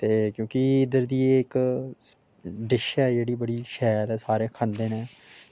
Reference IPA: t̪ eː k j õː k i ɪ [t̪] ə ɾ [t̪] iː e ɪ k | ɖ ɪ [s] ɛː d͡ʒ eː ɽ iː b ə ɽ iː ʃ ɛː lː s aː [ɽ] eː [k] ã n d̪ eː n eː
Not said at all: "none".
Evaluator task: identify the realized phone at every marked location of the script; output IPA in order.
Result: d̪, d̪, ʃ, ɾ, kʰ

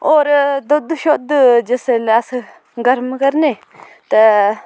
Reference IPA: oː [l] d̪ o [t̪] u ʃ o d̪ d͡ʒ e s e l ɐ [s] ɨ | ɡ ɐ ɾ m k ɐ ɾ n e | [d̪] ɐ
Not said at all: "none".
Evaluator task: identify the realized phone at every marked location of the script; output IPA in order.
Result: ɾ, d̪, s, t̪

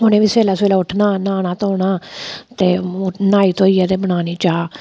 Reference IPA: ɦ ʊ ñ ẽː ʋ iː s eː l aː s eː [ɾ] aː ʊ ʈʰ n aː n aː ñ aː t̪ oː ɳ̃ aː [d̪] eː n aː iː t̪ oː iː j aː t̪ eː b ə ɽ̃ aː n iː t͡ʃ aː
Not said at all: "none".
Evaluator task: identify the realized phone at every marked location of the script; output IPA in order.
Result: l, t̪

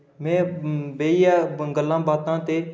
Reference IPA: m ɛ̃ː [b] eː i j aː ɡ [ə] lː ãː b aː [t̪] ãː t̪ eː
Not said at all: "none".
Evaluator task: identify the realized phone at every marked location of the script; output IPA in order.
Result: b, ə, t̪

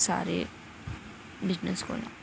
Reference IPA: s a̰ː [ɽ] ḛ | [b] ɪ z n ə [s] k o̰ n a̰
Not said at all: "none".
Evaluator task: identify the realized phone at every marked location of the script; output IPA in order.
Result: ɾ, b, s

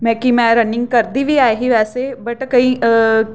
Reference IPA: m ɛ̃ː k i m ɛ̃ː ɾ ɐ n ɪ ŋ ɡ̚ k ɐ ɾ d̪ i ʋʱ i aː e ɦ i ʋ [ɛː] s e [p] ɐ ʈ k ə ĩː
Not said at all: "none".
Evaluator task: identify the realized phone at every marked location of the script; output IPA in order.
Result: ɛː, b

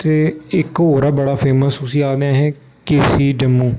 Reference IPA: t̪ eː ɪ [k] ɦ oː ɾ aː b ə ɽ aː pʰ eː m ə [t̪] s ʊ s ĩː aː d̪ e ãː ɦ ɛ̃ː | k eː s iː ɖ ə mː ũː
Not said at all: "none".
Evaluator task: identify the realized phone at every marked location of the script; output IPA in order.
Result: k, none

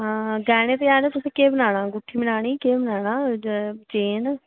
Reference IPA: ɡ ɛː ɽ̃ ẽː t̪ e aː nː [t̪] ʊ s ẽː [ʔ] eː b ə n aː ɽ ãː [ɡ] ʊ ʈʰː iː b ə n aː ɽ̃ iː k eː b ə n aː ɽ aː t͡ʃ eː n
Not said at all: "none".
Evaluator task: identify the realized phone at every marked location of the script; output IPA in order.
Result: t̪, k, ɡ

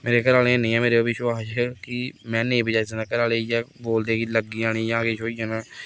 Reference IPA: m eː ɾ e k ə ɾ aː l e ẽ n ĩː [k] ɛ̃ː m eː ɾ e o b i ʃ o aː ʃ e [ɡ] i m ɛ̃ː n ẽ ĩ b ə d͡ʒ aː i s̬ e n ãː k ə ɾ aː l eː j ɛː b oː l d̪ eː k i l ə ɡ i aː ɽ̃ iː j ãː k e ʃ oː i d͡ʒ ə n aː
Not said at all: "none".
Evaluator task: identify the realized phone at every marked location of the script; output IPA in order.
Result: none, k

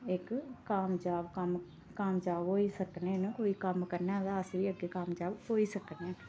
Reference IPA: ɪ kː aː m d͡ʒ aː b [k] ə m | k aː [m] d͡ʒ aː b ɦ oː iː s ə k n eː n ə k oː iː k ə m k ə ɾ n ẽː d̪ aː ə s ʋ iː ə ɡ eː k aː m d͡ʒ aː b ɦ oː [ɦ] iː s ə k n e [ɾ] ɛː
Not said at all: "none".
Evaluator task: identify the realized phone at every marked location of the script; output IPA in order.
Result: k, m, none, none

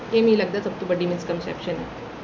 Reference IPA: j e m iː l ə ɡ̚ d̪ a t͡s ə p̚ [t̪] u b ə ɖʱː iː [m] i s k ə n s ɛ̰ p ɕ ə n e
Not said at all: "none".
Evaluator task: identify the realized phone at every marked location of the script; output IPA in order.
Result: t̪, m

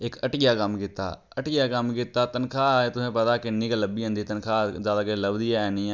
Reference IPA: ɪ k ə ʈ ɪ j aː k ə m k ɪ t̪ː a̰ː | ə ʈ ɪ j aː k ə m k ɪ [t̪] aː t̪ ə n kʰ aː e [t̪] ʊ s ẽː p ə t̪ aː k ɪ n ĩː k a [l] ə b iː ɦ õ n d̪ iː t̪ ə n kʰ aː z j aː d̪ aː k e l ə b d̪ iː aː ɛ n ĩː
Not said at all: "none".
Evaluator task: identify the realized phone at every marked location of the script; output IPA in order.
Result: t̪, t̪, l

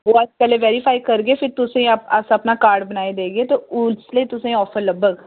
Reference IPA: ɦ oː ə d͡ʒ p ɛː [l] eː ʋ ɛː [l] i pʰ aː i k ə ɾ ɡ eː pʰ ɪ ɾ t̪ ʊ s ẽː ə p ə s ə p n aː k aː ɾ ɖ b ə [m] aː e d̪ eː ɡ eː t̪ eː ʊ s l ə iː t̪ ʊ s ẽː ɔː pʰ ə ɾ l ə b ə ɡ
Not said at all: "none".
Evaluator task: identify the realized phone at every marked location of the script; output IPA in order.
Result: l, ɾ, n

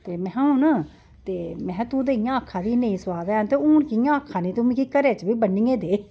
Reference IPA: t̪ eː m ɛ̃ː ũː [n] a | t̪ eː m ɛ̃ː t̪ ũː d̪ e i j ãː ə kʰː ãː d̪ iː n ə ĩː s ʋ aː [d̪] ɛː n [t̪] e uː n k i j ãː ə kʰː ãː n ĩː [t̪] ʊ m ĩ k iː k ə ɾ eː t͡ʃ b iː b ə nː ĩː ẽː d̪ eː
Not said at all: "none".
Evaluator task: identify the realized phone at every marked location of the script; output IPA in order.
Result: n, d̪, t̪, t̪

